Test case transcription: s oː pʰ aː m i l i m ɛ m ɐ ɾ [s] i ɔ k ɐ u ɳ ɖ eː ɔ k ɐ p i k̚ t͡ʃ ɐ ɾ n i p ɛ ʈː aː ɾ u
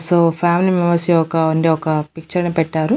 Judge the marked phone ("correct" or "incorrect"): correct